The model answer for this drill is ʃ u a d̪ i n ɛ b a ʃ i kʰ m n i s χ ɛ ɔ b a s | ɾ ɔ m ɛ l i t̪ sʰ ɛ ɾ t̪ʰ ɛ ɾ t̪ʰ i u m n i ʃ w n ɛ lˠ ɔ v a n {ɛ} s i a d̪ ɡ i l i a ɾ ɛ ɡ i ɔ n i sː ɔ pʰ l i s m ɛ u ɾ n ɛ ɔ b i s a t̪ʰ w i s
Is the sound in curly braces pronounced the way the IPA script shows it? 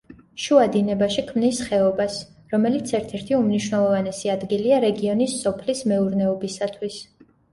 yes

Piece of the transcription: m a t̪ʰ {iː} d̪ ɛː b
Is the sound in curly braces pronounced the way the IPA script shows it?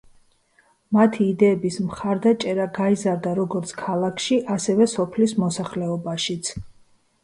yes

